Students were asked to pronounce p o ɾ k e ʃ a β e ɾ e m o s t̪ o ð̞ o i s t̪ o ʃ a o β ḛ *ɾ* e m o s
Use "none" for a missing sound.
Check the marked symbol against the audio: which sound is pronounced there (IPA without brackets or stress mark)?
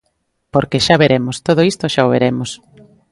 ɾ